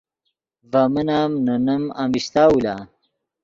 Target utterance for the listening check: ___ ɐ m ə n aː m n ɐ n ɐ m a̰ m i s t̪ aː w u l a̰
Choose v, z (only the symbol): v